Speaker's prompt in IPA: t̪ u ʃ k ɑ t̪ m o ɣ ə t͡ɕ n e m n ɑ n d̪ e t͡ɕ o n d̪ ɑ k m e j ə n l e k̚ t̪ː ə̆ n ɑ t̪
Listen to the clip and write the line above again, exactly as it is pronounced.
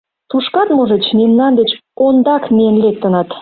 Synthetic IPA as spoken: t̪ u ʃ k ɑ t̪ m o ʒ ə t͡ɕ n e m n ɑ n d̪ e t͡ɕ o n d̪ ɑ k m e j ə n l e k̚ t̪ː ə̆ n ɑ t̪